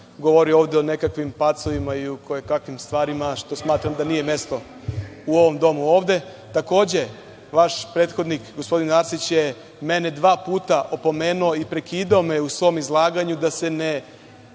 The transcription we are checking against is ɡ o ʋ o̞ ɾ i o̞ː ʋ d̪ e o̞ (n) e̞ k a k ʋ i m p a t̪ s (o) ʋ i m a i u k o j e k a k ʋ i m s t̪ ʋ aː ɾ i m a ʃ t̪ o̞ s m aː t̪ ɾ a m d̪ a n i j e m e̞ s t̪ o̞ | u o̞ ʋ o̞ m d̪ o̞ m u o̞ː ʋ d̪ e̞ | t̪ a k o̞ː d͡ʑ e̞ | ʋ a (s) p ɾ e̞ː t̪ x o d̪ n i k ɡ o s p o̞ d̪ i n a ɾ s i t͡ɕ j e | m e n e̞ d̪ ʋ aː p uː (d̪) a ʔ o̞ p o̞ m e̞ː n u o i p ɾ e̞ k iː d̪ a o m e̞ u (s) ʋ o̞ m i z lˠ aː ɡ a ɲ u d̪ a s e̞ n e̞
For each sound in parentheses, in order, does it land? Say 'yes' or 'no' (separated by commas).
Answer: yes, yes, no, no, yes